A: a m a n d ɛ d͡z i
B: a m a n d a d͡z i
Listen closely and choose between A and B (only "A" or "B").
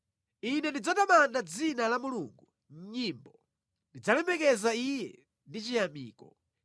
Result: B